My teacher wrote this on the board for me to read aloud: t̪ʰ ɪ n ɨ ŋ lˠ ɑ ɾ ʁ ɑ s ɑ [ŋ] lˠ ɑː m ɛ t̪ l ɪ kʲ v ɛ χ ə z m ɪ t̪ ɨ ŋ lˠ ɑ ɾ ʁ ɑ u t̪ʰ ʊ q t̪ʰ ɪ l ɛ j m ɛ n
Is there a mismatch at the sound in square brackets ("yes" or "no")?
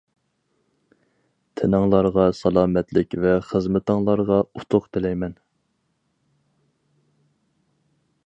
yes